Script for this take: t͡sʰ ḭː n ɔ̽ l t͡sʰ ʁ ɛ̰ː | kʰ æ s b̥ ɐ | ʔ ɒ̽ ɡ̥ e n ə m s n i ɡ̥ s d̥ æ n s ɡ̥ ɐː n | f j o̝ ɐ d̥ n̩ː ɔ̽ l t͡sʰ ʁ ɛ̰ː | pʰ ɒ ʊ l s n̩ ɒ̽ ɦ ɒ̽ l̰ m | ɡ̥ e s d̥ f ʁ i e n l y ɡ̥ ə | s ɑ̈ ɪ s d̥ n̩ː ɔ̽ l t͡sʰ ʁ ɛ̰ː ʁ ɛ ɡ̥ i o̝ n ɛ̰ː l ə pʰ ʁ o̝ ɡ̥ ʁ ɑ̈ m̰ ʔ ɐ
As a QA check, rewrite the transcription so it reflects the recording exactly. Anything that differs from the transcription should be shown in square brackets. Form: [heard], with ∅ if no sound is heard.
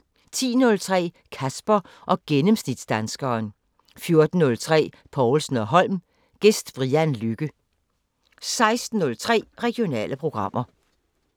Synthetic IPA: t͡sʰ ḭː n ɔ̽ l t͡sʰ ʁ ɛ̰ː | kʰ æ s b̥ ɐ | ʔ ɒ̽ ɡ̥ e n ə m s n i [d̥] s d̥ æ n s ɡ̥ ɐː n | f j o̝ ɐ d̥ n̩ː ɔ̽ l t͡sʰ ʁ ɛ̰ː | pʰ ɒ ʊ l s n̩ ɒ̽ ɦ ɒ̽ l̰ m | ɡ̥ e s d̥ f ʁ i [æ] n l y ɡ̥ ə | s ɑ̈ ɪ s d̥ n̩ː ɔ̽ l t͡sʰ ʁ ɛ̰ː ʁ ɛ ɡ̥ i o̝ n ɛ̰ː l ə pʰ ʁ o̝ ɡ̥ ʁ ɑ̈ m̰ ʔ ɐ